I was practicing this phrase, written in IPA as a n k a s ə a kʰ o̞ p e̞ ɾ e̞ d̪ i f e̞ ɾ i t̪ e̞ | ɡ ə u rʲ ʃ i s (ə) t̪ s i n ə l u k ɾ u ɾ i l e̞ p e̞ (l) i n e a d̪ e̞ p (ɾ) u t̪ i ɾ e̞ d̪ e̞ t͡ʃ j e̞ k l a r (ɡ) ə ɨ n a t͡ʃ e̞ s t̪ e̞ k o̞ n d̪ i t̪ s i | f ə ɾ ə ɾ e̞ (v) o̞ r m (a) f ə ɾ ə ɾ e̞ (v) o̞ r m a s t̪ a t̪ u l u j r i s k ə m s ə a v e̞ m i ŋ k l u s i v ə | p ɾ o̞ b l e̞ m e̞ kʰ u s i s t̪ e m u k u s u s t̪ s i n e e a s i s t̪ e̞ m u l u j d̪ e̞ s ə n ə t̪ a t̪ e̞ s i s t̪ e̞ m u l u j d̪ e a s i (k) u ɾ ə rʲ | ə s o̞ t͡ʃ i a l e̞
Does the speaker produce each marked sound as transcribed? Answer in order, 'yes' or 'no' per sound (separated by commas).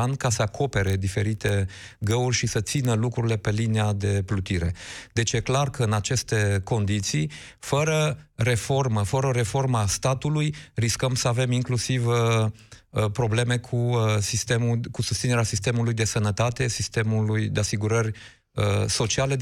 yes, yes, no, no, no, no, no, no